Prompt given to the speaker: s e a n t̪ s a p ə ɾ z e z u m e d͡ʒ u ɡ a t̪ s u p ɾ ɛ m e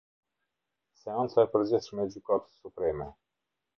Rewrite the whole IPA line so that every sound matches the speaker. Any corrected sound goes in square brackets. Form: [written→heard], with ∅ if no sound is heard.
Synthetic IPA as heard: s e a n t̪ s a p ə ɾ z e [z→s] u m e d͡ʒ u [ɡ→k] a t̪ s u p ɾ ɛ m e